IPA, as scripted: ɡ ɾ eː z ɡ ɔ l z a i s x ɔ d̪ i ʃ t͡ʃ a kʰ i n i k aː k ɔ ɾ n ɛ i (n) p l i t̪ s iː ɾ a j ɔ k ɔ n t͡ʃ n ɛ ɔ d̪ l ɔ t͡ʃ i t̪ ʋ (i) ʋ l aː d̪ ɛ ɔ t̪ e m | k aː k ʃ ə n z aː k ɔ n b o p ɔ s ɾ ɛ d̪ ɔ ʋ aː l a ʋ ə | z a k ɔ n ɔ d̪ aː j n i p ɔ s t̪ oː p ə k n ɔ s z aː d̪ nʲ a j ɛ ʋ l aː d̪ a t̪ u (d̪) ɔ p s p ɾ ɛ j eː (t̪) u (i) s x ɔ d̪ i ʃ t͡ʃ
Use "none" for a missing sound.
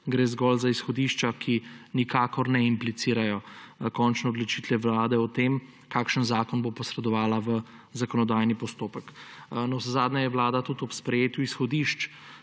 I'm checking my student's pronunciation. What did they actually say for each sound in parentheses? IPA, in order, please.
m, ɛ, t̪, t̪, i

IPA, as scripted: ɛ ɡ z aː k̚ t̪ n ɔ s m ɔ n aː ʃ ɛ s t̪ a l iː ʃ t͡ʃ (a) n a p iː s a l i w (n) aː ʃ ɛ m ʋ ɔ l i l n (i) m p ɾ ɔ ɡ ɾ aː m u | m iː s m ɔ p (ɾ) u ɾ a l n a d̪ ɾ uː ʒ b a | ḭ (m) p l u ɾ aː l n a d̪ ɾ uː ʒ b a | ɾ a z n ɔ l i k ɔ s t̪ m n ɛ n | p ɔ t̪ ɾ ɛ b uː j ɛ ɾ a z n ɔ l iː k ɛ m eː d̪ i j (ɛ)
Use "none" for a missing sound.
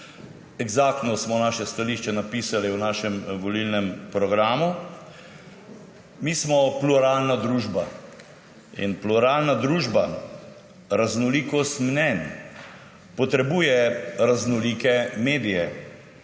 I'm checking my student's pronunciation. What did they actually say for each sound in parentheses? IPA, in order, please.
ɛ, n, ɛ, l, n, ɛ

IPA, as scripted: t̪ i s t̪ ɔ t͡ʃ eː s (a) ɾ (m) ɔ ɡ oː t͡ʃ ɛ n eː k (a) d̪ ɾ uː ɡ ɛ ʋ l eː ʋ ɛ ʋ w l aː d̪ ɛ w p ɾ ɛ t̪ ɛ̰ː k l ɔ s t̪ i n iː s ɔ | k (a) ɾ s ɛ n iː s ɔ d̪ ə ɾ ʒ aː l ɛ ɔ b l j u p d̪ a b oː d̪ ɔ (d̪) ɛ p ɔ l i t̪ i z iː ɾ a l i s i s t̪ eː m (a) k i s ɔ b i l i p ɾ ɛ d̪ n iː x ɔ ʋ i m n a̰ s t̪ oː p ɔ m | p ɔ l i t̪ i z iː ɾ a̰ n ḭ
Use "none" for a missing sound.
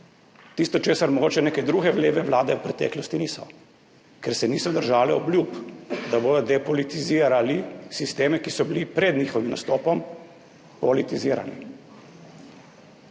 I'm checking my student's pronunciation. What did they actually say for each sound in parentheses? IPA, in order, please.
a, m, ɛ, ɛ, d̪, ɛ

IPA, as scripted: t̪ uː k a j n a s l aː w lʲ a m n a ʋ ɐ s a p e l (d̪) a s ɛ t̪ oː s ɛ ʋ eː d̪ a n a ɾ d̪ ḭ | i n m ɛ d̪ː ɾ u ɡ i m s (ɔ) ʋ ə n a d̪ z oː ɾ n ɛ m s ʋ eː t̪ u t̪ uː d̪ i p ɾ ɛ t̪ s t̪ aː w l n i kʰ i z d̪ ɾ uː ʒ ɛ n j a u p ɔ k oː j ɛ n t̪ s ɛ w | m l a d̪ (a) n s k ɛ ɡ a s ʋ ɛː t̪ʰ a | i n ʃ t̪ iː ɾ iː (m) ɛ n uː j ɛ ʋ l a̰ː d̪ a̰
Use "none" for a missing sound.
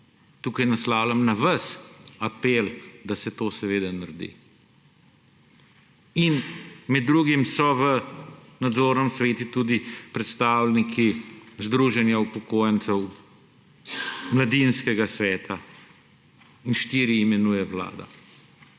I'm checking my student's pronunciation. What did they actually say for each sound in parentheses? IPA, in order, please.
d̪, ɔ, i, m

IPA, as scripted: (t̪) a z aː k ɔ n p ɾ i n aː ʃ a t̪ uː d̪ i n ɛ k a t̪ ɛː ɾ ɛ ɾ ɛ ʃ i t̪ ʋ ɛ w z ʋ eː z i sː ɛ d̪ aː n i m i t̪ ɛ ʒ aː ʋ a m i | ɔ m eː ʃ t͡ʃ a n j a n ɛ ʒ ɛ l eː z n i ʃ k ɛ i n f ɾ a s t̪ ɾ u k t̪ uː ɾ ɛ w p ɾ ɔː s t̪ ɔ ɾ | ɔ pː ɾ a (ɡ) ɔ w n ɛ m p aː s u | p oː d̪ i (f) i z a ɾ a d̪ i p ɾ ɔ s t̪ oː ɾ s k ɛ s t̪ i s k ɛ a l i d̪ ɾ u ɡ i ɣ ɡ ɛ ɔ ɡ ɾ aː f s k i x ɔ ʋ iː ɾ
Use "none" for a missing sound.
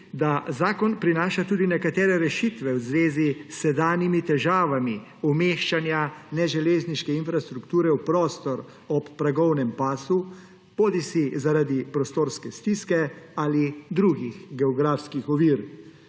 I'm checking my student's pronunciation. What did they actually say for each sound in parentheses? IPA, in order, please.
d̪, ɡ, s

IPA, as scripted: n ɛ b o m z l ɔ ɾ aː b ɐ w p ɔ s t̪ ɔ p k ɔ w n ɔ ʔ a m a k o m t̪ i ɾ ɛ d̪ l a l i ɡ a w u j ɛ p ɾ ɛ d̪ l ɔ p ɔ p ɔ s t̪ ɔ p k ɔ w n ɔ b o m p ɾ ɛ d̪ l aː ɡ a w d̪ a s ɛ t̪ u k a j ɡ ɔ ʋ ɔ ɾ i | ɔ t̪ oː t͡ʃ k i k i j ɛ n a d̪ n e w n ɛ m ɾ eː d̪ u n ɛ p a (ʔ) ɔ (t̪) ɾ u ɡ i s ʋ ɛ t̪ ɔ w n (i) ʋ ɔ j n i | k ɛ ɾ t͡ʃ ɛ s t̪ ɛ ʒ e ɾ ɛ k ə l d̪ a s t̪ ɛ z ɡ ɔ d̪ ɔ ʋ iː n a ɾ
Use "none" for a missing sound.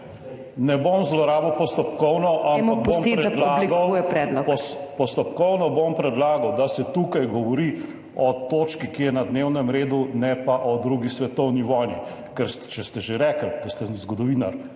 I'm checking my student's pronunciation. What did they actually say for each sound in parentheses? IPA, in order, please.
ʔ, d̪, i

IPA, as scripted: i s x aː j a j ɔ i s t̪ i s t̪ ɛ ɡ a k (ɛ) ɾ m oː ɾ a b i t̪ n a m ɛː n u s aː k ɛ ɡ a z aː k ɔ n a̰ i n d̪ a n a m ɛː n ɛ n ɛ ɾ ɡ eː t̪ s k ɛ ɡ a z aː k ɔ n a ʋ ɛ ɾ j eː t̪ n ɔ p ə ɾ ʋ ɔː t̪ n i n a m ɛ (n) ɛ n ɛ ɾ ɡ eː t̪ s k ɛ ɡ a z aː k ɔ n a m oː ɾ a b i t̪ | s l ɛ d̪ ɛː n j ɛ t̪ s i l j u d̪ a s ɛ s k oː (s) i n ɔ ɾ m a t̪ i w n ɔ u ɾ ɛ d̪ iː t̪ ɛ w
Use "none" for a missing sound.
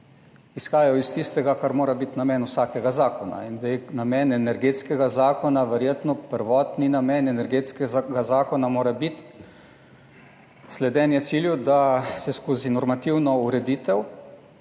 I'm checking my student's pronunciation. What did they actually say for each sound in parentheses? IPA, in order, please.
a, n, z

